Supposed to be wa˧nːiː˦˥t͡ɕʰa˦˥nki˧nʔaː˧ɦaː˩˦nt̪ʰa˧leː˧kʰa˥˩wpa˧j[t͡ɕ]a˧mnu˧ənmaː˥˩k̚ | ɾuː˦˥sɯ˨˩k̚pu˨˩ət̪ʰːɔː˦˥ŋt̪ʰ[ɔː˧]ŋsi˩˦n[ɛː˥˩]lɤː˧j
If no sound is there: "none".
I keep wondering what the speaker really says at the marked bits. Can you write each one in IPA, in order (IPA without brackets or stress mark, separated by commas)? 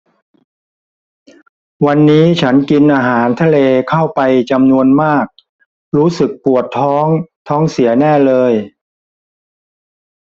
t͡ɕ, ɔː˦˥, ɛː˥˩